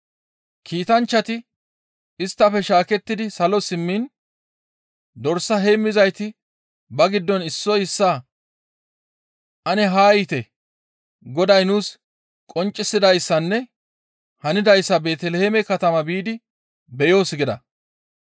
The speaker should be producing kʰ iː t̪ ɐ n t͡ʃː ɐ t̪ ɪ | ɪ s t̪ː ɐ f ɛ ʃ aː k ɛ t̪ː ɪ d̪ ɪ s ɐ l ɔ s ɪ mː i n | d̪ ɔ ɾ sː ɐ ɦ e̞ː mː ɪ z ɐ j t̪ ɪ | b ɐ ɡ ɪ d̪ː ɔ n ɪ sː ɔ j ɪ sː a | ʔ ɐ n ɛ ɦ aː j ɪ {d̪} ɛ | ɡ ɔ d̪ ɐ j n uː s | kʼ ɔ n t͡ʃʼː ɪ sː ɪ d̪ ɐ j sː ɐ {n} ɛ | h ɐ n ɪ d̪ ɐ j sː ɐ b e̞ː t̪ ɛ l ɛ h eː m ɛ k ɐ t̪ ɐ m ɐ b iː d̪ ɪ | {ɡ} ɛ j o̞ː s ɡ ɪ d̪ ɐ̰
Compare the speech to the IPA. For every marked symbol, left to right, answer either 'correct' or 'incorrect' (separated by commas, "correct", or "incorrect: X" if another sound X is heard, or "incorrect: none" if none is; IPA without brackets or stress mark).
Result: incorrect: t̪, incorrect: nː, incorrect: b